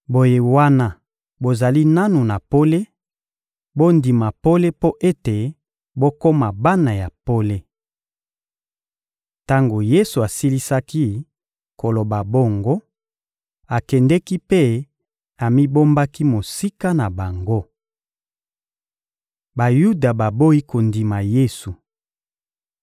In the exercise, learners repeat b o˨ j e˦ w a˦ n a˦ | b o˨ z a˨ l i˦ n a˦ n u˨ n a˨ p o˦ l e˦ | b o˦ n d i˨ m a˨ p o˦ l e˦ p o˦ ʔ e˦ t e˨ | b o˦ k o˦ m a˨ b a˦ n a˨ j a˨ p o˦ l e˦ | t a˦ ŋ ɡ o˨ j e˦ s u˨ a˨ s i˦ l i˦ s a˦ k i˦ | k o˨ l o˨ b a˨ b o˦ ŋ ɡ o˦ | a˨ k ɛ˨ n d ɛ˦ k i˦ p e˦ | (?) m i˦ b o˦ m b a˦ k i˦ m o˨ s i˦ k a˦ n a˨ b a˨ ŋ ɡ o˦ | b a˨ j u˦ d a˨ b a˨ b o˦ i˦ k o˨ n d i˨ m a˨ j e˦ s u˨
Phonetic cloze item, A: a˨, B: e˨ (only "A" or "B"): A